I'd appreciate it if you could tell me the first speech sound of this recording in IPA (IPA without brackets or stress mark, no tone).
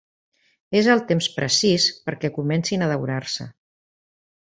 e